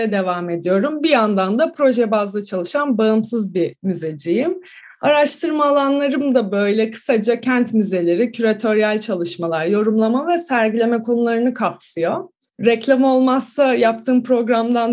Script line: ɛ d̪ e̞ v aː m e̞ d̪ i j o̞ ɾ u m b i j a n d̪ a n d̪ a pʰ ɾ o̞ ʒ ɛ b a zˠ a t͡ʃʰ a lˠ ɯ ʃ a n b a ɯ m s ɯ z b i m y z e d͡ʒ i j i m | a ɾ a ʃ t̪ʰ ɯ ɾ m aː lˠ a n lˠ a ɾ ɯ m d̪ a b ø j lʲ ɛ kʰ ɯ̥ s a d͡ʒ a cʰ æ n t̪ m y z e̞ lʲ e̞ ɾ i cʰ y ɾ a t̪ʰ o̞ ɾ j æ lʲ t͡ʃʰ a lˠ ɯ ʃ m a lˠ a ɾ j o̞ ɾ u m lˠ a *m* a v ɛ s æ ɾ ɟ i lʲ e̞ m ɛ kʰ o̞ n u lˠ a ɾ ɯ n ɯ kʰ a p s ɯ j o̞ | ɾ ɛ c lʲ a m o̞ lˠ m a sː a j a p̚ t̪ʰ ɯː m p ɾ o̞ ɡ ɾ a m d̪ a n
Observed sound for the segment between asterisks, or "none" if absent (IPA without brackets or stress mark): m